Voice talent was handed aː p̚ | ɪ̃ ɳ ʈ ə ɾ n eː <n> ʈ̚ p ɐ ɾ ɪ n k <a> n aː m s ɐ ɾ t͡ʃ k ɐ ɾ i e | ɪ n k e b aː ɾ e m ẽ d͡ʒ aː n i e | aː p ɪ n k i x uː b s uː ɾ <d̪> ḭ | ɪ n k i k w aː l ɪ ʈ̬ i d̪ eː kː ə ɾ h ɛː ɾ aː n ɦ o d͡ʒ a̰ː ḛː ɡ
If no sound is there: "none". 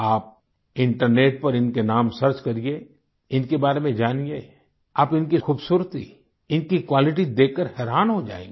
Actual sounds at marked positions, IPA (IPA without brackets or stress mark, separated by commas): none, e, t̪